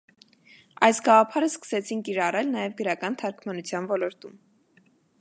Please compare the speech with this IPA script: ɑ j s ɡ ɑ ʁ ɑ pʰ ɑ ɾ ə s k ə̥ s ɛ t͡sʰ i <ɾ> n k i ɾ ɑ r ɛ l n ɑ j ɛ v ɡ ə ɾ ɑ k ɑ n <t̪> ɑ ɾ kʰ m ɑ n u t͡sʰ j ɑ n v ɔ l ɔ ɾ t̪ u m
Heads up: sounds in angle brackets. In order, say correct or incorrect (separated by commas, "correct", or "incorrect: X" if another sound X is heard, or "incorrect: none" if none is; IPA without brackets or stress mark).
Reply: incorrect: none, incorrect: t̪ʰ